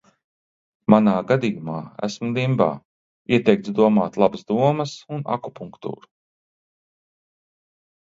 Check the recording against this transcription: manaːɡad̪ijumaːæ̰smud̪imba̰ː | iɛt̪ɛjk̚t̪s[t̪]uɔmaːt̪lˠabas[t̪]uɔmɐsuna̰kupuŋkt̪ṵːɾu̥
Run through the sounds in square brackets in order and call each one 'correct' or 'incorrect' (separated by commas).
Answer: incorrect, incorrect